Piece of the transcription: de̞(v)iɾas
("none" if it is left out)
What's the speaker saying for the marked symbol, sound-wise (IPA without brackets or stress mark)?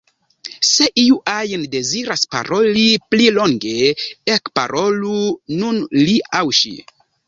z